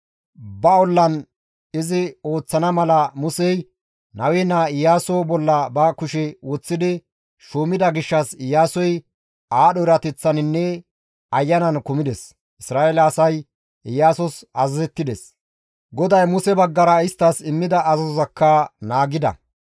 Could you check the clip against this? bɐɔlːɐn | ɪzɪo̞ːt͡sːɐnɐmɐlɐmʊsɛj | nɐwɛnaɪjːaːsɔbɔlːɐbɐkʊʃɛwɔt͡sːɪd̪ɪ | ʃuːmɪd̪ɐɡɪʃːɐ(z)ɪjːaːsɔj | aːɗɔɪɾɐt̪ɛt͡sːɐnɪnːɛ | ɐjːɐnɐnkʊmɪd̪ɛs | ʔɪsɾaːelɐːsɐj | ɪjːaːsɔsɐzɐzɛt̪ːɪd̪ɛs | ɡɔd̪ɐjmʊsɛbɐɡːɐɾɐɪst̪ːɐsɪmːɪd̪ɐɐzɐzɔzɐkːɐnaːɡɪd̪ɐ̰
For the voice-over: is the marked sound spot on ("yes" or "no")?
no